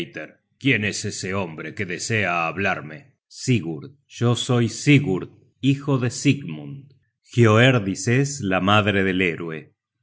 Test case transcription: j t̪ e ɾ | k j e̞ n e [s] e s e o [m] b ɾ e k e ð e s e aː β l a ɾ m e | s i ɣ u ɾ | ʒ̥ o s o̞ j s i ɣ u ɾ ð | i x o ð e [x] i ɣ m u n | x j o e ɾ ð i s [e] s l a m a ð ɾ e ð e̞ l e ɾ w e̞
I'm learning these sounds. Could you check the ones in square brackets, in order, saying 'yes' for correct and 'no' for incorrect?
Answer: yes, yes, no, yes

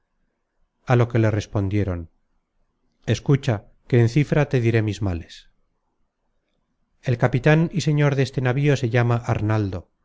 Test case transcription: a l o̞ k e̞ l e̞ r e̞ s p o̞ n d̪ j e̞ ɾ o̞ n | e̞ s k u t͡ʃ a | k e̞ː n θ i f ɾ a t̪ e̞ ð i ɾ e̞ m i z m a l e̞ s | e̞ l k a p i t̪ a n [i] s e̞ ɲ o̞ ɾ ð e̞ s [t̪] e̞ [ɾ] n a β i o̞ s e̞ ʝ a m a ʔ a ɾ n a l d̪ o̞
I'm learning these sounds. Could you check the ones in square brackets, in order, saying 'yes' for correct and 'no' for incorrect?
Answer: yes, yes, no

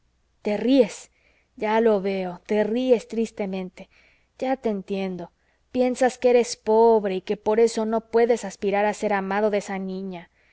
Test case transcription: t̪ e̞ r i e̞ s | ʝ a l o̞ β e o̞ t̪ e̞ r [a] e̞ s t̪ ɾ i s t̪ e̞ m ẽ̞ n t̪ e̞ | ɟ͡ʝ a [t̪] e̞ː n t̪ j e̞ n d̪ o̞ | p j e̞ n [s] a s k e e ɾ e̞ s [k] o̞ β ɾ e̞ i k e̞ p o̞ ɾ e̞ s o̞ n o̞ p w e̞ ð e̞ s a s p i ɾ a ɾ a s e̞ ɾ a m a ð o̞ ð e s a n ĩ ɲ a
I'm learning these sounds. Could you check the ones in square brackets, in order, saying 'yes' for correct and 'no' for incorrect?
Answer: no, yes, yes, no

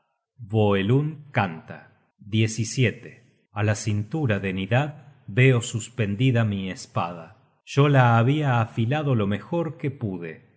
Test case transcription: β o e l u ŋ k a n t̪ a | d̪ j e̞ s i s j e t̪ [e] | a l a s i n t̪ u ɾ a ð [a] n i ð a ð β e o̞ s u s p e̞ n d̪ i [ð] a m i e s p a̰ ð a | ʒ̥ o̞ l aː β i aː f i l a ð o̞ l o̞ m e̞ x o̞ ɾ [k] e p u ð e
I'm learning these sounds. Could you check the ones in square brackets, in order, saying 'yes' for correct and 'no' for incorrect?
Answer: yes, no, yes, yes

